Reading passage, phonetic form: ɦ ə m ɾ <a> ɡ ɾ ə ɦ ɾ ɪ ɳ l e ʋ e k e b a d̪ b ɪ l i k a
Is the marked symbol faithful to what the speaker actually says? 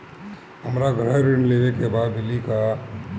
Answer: yes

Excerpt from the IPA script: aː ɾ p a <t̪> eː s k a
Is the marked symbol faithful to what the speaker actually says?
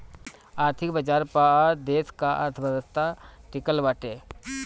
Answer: no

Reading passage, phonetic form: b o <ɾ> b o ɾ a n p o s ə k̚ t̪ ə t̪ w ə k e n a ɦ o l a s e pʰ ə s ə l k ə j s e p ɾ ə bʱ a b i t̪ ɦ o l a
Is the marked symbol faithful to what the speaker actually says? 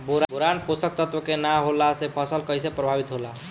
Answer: yes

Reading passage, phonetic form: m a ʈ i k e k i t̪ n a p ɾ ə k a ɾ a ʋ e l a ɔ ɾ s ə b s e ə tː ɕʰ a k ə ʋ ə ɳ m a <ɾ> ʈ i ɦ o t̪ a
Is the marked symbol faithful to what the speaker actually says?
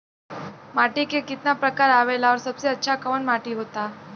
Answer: no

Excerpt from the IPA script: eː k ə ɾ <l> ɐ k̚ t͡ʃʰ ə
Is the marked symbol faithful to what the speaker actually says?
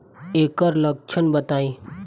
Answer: yes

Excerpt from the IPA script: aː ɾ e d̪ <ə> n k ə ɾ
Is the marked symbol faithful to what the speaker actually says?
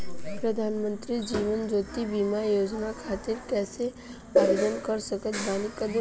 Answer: yes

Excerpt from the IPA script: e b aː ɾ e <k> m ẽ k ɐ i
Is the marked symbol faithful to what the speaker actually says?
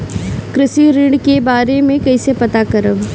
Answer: no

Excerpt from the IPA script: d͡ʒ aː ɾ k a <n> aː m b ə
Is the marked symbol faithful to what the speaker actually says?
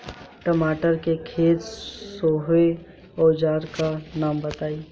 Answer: yes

